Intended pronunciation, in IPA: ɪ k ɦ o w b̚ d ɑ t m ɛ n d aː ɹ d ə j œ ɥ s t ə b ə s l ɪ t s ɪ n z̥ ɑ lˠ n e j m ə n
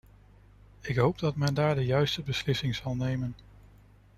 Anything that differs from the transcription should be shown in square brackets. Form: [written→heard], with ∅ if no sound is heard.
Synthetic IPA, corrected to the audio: ɪ k ɦ o w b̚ d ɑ t m ɛ n d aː ɹ d ə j œ ɥ s t ə b ə s l ɪ [t→∅] s ɪ [n→ŋ] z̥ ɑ lˠ n e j m ə n